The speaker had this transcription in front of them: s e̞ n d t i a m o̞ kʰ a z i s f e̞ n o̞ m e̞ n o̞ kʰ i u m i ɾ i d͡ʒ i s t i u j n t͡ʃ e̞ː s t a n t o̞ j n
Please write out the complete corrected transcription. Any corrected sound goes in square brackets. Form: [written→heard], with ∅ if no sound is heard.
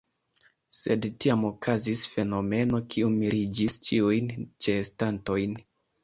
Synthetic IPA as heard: s e̞ [n→∅] d t i a m o̞ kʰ a z i s f e̞ n o̞ m e̞ n o̞ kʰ i u m i ɾ i d͡ʒ i s [t→t͡ʃ] i u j n t͡ʃ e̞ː s t a n t o̞ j n